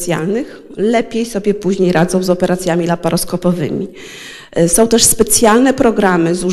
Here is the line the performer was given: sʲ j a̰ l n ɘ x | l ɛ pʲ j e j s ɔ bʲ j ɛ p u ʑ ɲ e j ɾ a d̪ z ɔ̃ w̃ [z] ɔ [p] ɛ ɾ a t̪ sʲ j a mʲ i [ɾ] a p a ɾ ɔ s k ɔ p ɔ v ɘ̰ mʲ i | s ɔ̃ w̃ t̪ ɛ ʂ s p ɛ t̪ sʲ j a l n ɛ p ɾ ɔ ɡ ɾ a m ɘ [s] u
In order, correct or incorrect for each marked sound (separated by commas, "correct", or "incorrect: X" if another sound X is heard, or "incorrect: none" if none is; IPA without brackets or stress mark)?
correct, correct, incorrect: l, incorrect: z